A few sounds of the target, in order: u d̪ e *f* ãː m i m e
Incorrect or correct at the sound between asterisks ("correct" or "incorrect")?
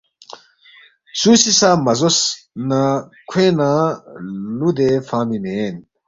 correct